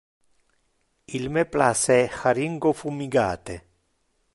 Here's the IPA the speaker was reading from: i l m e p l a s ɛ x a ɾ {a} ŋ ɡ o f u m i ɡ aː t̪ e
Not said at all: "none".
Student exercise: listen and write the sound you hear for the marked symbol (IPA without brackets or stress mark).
i